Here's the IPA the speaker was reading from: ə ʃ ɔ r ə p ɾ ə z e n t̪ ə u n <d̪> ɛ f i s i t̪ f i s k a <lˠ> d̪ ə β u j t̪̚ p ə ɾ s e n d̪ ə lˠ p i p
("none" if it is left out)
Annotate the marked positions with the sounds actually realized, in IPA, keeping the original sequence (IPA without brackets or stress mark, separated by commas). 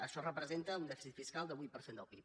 d̪, lˠ